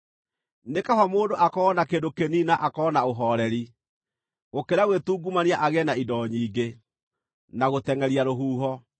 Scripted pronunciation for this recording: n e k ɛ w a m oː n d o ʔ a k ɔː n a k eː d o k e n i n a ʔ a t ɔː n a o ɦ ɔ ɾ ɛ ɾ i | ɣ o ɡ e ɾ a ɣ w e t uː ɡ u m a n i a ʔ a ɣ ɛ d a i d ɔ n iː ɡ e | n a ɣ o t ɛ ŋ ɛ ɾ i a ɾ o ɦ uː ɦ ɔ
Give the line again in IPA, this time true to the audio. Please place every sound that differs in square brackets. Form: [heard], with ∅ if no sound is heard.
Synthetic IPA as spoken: n e k [a] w a m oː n d o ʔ a k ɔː n a k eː d o k e n i n a ʔ a [k] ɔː n a o ɦ ɔ ɾ ɛ ɾ i | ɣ o [k] e ɾ a ɣ w e t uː ɡ u m a n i a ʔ a ɣ ɛ [n] a i d ɔ [ɲ] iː ɡ e | n a ɣ o t ɛ ŋ ɛ ɾ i a ɾ o ɦ uː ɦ ɔ